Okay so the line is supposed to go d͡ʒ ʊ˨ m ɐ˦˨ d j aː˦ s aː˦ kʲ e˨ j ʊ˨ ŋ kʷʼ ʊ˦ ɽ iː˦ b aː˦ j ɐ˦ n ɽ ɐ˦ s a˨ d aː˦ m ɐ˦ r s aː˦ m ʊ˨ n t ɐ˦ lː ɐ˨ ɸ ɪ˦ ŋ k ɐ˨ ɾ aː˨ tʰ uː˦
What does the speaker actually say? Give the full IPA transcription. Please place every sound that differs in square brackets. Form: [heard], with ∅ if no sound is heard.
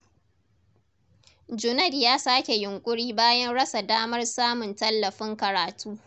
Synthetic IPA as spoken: d͡ʒ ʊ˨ [n] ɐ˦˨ d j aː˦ s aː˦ kʲ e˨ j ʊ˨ ŋ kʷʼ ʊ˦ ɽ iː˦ b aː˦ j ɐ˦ n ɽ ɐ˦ s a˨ d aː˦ m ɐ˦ r s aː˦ m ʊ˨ n t ɐ˦ lː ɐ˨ ɸ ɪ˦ ŋ k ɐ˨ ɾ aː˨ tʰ uː˦